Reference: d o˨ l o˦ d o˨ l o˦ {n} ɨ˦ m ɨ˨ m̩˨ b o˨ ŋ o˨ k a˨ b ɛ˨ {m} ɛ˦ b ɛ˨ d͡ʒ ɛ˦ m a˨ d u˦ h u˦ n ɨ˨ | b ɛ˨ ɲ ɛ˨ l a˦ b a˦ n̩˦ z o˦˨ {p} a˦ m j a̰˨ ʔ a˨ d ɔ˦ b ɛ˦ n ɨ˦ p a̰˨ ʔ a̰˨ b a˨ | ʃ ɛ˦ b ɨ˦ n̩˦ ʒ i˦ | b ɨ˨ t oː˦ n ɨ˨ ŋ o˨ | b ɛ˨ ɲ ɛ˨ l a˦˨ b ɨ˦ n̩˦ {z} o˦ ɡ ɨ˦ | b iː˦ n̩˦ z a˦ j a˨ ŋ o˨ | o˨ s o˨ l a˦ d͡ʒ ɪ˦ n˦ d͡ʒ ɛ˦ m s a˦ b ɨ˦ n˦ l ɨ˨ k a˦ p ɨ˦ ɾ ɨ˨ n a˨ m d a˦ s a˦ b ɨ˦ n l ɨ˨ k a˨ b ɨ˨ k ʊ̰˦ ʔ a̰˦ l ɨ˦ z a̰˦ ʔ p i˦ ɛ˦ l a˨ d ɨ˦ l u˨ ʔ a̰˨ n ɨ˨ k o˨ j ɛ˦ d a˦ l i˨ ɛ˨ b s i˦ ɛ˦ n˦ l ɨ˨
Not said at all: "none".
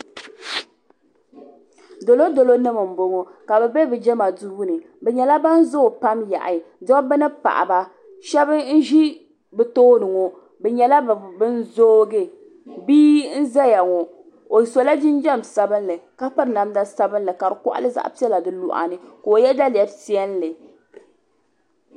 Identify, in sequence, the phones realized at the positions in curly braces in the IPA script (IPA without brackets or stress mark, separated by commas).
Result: n, b, p, z